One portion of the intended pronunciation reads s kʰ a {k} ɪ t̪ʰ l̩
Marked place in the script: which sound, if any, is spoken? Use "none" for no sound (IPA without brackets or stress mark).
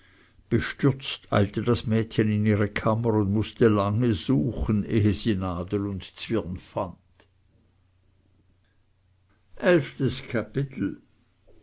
p